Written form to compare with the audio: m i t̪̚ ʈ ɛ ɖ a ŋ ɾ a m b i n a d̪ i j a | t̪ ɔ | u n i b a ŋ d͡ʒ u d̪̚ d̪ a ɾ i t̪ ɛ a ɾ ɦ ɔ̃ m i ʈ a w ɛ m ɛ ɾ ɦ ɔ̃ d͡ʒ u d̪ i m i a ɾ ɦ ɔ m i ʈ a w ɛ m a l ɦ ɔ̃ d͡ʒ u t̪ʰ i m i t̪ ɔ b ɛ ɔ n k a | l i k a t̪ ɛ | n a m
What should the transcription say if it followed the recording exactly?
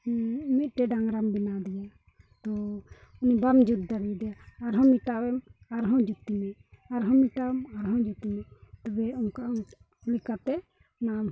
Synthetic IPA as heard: m i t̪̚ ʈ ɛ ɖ a ŋ ɾ a m b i n a d̪ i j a | t̪ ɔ | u n i b a m d͡ʒ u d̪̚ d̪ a ɾ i d̪ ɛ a ɾ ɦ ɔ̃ m i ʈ a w ɛ m a ɾ ɦ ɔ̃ d͡ʒ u t̪ i m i a ɾ ɦ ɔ m i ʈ a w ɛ m a ɾ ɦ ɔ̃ d͡ʒ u t̪ i m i t̪ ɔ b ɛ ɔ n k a | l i k a t̪ ɛ | n a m

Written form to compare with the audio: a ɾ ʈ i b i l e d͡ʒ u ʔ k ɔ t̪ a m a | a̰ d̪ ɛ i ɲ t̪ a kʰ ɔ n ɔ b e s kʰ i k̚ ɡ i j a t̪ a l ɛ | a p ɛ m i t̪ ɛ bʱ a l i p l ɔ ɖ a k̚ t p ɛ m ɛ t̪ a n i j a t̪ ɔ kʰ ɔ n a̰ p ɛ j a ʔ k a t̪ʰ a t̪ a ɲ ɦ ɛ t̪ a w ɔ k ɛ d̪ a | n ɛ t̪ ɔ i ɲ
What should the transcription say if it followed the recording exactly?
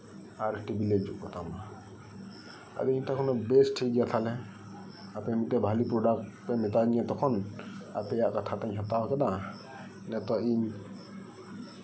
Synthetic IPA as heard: a ɾ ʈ i b i l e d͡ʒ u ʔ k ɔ t̪ a m a | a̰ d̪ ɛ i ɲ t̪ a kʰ ɔ n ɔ b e s ʈʰ i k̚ ɡ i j a t̪ʰ a l ɛ | a p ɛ m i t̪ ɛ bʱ a l i p ɾ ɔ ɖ a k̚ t p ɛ m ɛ t̪ a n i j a t̪ ɔ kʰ ɔ n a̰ p ɛ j a ʔ k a t̪ʰ a t̪ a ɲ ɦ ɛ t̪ a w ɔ k ɛ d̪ a | n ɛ t̪ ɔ i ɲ

